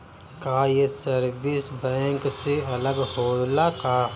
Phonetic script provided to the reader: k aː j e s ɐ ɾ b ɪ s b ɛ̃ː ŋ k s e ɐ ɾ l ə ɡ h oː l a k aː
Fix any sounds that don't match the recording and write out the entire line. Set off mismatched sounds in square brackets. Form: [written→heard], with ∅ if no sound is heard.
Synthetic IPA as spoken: k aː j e s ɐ ɾ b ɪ s b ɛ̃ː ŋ k s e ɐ [ɾ→∅] l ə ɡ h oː l a k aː